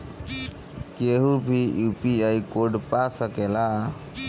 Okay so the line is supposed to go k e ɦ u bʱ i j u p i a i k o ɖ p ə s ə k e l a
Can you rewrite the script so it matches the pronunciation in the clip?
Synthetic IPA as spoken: k e ɦ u bʱ i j u p i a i k o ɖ p a s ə k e l a